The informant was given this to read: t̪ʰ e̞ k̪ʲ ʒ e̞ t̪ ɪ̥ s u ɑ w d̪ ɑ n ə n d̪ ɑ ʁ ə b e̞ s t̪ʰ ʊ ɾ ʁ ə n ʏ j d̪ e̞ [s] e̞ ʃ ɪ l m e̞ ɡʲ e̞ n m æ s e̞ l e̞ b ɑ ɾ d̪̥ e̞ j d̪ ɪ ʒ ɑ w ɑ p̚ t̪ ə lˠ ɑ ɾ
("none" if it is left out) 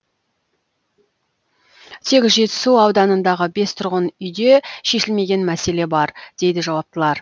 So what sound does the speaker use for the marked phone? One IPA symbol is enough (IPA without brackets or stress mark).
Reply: ʃ